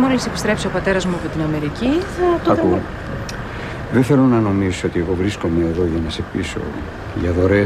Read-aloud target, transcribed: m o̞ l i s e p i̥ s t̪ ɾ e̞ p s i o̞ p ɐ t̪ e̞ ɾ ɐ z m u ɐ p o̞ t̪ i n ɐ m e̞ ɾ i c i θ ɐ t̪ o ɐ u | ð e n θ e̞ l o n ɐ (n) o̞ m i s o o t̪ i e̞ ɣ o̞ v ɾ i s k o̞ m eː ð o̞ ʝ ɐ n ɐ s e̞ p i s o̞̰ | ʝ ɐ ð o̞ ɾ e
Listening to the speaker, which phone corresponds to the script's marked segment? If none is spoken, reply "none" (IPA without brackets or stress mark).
n